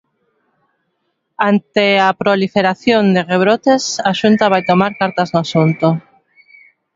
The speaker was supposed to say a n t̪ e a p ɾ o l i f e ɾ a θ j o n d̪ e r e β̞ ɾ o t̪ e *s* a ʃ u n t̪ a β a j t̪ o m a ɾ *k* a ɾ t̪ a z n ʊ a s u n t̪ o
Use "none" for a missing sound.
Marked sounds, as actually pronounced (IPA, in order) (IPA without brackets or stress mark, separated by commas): s, k